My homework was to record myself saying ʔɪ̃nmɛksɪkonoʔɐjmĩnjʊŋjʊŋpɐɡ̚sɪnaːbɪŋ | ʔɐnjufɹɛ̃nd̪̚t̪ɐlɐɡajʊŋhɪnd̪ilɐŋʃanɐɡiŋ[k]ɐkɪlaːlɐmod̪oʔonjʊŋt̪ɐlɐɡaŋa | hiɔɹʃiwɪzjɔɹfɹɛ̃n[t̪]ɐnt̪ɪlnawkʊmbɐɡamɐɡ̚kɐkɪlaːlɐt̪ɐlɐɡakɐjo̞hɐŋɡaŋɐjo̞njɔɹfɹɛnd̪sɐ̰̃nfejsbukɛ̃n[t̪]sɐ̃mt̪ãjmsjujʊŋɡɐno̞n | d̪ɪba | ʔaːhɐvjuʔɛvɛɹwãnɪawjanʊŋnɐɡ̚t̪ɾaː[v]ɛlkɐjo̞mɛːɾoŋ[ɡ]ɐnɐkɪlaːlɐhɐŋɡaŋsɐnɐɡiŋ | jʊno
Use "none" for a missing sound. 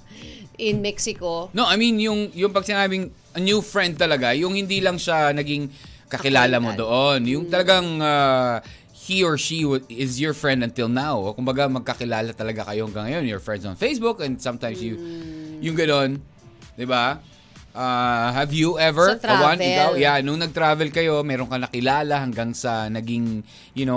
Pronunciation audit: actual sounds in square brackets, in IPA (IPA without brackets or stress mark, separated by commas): k, d̪, d̪, v, k